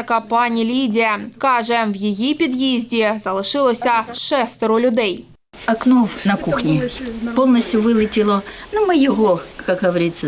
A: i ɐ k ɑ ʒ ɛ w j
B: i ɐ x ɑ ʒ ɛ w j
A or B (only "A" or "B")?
A